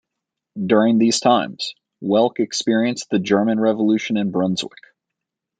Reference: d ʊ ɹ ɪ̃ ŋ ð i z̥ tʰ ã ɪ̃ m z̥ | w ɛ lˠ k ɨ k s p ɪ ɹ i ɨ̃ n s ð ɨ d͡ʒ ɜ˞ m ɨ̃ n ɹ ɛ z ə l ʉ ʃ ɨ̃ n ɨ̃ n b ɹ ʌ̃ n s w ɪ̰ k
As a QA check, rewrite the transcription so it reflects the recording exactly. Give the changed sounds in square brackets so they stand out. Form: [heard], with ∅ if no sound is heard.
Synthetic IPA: d ʊ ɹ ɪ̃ ŋ ð i z̥ tʰ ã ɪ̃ m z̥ | w ɛ lˠ k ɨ k s p ɪ ɹ i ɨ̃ n s ð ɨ d͡ʒ ɜ˞ m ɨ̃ n ɹ ɛ [v] ə l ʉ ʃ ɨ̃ n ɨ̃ n b ɹ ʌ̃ n [z] w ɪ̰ k